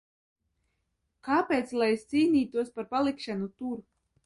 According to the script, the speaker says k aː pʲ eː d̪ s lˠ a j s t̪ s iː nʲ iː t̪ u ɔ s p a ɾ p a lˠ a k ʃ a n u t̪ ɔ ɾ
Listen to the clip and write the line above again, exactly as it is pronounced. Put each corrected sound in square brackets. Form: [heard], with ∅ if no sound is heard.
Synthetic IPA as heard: k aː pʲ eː [t̪] s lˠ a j s t̪ s iː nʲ iː t̪ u ɔ s p a ɾ p a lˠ [i] k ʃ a n u t̪ [u] ɾ